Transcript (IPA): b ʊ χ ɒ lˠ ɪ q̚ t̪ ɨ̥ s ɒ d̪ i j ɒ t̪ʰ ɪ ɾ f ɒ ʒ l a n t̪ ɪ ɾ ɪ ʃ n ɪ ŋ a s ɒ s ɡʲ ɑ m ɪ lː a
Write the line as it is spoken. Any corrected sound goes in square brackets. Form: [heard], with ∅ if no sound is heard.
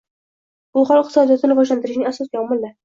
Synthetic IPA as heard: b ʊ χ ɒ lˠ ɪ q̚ t̪ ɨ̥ s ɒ d̪ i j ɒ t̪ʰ ɪ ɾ [v] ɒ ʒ l a n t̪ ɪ ɾ ɪ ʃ n ɪ ŋ a s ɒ s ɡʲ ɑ m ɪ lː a